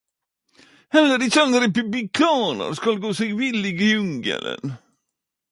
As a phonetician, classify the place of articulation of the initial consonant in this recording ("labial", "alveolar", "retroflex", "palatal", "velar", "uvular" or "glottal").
glottal